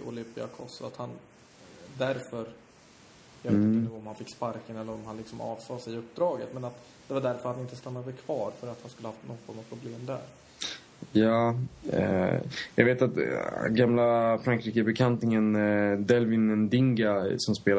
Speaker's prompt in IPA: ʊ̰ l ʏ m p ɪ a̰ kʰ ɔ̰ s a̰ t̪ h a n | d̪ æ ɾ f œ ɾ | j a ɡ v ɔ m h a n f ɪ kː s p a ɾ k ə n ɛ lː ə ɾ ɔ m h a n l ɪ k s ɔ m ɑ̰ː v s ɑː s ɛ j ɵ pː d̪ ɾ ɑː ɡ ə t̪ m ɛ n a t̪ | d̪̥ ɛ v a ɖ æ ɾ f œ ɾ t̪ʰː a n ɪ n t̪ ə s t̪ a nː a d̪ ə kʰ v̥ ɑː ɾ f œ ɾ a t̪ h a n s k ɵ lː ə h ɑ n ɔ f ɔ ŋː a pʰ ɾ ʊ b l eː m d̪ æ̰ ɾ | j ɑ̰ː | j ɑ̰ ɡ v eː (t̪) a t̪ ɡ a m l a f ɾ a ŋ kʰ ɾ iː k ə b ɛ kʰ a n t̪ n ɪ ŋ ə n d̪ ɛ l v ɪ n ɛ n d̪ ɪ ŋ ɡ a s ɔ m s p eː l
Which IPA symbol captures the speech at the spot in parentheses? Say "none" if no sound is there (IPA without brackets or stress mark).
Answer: t̪